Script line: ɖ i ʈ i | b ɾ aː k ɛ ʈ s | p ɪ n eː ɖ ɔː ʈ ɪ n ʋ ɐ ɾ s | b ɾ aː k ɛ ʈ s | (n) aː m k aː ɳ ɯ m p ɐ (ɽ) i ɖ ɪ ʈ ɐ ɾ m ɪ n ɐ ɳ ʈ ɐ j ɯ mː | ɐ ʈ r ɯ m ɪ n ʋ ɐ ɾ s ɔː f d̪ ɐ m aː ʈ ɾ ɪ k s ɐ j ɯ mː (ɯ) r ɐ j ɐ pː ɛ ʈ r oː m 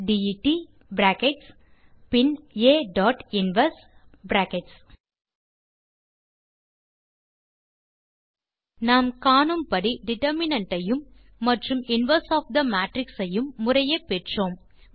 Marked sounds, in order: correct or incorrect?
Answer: correct, correct, incorrect

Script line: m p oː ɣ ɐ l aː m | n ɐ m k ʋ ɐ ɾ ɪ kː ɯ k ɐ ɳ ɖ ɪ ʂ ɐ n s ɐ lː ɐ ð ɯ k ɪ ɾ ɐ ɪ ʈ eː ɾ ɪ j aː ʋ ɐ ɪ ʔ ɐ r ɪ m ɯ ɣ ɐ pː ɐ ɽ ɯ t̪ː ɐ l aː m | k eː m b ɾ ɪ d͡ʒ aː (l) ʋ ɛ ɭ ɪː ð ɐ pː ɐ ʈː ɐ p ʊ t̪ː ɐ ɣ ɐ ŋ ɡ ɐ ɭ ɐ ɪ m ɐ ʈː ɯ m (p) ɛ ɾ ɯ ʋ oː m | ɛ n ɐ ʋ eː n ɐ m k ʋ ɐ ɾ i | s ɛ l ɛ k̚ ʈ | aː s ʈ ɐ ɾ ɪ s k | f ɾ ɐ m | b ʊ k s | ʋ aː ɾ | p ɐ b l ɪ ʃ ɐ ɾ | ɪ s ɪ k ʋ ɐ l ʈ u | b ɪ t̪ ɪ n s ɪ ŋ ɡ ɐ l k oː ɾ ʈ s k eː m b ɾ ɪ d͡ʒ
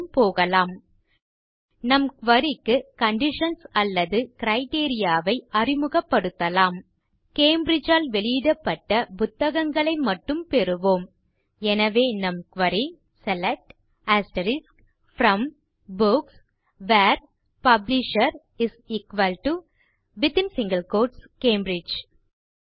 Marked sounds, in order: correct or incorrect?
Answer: correct, correct

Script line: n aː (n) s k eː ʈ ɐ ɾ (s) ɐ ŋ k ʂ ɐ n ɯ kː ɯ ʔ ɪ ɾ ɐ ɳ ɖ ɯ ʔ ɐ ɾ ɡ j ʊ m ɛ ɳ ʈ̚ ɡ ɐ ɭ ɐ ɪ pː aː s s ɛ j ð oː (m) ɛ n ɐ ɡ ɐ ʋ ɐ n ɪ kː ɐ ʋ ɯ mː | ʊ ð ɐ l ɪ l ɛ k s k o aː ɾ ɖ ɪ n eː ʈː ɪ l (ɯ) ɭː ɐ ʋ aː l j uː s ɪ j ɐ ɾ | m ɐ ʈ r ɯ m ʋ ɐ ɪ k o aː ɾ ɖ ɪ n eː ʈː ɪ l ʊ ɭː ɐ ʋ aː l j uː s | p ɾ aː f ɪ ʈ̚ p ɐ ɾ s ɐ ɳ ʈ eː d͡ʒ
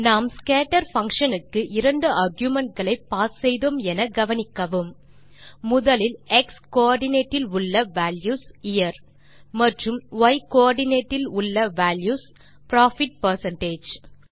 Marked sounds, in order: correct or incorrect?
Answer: incorrect, incorrect, correct, incorrect

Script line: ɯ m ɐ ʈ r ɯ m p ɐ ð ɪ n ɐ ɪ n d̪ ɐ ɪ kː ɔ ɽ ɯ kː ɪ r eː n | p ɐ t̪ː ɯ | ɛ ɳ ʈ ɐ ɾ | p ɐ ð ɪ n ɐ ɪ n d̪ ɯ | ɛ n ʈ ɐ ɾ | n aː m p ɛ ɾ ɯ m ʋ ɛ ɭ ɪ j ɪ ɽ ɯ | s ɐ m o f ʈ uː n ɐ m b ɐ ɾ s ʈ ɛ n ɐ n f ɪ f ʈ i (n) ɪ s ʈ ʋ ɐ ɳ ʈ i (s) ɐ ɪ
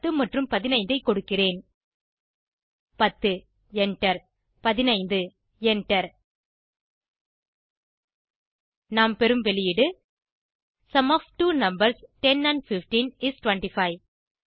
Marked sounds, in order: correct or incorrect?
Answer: correct, incorrect

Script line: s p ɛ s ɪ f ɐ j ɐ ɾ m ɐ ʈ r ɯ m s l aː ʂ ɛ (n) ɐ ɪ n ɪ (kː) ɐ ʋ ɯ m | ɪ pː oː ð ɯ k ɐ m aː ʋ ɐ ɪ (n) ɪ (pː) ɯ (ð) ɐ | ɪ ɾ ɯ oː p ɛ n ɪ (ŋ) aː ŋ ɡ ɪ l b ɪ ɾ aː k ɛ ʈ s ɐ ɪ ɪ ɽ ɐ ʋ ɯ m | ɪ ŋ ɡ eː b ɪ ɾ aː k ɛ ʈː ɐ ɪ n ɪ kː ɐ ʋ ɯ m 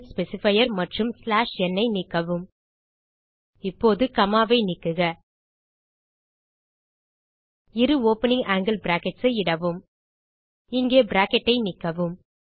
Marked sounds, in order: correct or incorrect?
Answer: incorrect, correct, correct, incorrect, incorrect, correct

